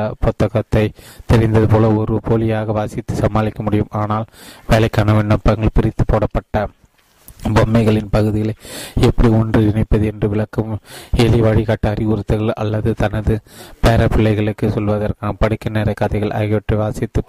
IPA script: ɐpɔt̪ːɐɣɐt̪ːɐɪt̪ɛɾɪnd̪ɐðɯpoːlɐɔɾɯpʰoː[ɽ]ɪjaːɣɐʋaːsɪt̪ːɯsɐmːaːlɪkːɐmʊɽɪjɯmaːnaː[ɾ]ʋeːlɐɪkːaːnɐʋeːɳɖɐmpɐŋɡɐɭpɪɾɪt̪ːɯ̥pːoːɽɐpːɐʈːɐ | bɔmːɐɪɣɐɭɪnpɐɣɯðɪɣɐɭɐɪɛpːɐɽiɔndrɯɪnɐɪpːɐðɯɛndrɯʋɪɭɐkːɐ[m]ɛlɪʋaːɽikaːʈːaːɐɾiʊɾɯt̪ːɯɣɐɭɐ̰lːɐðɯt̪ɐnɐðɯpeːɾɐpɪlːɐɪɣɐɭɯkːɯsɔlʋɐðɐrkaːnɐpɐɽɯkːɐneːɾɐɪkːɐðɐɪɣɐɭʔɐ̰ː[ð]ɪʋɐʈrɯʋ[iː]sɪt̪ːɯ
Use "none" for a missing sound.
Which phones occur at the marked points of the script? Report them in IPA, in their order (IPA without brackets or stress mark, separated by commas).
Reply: l, l, m, ɣ, aː